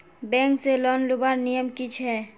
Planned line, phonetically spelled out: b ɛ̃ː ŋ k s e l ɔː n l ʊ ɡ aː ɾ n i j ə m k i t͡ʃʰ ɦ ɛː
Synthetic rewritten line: b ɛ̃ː ŋ k s e l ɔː n l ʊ b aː ɾ n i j ə m k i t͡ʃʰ ɦ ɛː

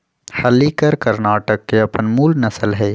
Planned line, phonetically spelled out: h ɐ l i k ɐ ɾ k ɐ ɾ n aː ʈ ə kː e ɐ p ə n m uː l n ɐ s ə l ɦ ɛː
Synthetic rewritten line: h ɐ l i k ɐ ɾ k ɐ ɾ n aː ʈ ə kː e ɐ p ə n m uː l n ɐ s ə l ɦ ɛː

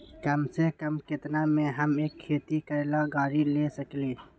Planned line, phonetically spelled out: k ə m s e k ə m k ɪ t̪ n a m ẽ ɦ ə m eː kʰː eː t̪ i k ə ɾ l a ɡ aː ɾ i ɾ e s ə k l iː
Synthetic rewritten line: k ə m s e k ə m k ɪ t̪ n a m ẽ ɦ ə m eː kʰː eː t̪ i k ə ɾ l a ɡ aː ɾ i l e s ə k l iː

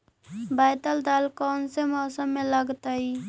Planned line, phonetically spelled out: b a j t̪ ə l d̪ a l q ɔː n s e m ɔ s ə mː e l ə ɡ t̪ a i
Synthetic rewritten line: b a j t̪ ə l d̪ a l k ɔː n s e m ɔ s ə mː e l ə ɡ t̪ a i

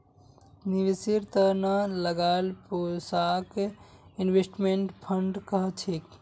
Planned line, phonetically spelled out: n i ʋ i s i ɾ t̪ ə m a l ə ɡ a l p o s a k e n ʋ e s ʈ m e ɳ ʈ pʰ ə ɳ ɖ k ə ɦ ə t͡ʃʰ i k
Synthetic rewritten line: n i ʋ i s i ɾ t̪ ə n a l ə ɡ a l p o s a k i n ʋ e s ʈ m e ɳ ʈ pʰ ə ɳ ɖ k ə ɦ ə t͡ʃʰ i k

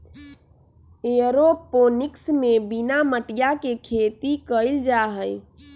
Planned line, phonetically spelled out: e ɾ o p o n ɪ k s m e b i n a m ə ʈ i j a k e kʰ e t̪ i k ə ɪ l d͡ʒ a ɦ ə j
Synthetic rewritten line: e ɾ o p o n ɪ k s m e b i n a m ə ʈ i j a k e kʰ e t̪ i k ə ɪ l d͡ʒ a ɦ ə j

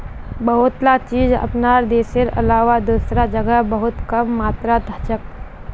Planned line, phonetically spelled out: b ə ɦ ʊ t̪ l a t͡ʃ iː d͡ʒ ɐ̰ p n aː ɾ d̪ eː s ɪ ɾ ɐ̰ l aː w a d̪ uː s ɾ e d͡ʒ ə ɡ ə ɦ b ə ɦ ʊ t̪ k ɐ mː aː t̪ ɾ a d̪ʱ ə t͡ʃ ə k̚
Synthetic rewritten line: b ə ɦ ʊ t̪ l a t͡ʃ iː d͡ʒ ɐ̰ p n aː ɾ d̪ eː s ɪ ɾ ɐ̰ l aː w a d̪ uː s ɾ a d͡ʒ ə ɡ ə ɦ b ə ɦ ʊ t̪ k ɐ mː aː t̪ ɾ a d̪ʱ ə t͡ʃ ə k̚

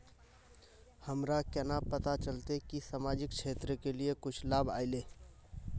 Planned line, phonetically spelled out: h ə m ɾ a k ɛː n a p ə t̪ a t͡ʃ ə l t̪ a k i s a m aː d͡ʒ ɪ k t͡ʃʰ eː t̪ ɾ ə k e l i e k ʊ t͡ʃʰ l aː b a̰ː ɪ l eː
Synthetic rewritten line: h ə m ɾ a k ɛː n a p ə t̪ a t͡ʃ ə l t̪ e k i s a m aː d͡ʒ ɪ k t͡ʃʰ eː t̪ ɾ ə k e l i e k ʊ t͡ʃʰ l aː b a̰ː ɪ l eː

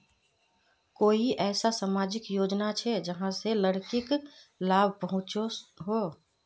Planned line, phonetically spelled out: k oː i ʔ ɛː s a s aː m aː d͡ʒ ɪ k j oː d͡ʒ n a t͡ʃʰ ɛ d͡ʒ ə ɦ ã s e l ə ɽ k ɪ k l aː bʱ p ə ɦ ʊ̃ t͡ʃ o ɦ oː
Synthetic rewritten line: k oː i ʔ ɛː s a s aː m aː d͡ʒ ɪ k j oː d͡ʒ n a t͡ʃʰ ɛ d͡ʒ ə ɦ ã s e l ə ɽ k ɪ k l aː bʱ p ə ɦ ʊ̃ t͡ʃ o ɦ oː

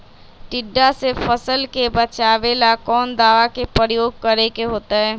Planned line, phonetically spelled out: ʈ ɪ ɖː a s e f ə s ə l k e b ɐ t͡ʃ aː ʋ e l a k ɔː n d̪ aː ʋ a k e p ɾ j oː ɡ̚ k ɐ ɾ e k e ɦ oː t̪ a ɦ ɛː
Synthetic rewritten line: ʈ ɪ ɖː a s e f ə s ə l k e b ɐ t͡ʃ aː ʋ e l a k ɔː n d̪ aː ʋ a k e p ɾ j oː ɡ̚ k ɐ ɾ e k e ɦ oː t̪ a ɦ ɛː

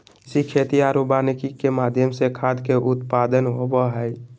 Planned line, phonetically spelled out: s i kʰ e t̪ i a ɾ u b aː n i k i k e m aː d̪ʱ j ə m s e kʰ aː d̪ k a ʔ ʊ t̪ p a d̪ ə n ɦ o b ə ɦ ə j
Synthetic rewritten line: s i kʰ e t̪ i a ɾ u b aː n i k i k e m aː d̪ʱ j ə m s e kʰ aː d̪ k e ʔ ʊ t̪ p a d̪ ə n ɦ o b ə ɦ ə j

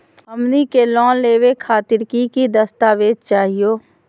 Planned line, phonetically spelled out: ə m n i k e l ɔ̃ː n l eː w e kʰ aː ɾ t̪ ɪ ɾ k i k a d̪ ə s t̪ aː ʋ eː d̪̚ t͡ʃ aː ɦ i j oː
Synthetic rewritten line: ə m n i k e l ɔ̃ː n l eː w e kʰ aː t̪ ɪ ɾ k i k i d̪ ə s t̪ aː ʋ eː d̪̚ t͡ʃ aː ɦ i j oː

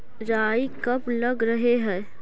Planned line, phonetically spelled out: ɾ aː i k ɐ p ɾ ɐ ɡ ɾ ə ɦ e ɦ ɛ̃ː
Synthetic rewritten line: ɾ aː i k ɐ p l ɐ ɡ ɾ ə ɦ e ɦ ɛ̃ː

